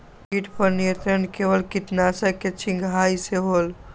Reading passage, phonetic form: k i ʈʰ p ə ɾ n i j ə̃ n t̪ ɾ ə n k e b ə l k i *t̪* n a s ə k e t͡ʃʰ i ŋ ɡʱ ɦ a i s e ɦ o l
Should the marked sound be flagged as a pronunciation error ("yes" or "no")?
no